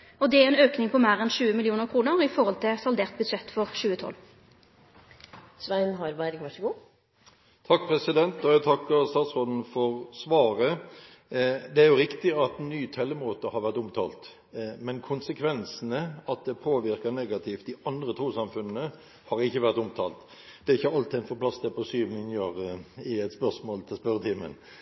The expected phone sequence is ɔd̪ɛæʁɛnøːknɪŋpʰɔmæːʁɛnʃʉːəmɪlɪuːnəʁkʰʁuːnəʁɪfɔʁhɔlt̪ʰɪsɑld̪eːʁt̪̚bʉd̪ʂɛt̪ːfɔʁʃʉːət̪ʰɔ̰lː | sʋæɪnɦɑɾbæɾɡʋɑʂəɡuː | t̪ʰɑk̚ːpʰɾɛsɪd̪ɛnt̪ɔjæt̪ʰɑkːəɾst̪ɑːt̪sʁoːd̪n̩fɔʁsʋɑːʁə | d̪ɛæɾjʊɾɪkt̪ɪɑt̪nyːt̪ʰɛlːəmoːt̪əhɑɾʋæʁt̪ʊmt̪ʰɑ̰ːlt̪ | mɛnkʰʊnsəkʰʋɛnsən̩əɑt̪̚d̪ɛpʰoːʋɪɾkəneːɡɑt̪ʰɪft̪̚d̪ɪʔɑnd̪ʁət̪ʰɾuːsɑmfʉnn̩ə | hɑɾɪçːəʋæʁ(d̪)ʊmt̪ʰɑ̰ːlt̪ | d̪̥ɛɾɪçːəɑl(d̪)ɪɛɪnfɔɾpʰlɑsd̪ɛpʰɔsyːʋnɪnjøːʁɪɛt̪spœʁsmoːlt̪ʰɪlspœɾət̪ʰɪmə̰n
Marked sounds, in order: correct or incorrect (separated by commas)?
incorrect, incorrect